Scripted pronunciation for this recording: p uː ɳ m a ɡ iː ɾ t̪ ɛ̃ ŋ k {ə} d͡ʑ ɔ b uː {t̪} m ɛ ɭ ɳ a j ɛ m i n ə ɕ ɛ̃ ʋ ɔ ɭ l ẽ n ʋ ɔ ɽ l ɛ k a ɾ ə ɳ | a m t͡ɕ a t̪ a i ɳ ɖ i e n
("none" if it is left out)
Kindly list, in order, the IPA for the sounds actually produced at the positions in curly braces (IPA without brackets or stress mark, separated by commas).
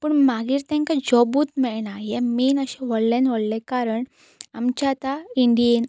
a, t̪